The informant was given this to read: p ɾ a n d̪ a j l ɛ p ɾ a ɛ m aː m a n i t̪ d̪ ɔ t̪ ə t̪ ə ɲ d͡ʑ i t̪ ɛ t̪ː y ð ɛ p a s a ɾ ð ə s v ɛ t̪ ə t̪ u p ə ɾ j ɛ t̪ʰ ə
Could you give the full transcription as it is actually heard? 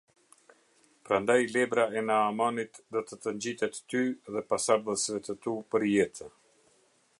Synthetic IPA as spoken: p ɾ a n d̪ a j l ɛ b ɾ a ɛ n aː m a n i t̪ d̪ ɔ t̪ ə t̪ ə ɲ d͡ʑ i t̪ ɛ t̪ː y ð ɛ p a s a ɾ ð ə s v ɛ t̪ ə t̪ u p ə ɾ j ɛ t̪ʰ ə